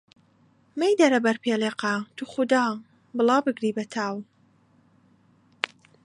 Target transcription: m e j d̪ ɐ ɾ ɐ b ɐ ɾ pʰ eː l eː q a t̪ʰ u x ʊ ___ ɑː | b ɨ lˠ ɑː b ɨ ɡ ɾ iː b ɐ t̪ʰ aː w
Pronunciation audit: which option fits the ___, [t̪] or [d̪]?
d̪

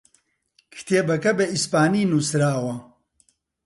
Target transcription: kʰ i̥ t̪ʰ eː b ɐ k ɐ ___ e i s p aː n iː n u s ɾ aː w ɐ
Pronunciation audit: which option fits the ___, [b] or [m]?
b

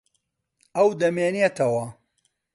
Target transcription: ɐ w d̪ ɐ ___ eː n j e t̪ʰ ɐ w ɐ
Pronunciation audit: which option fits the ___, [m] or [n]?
m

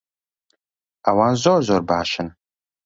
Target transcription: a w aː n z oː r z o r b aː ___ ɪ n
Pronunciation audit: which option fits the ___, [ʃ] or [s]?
ʃ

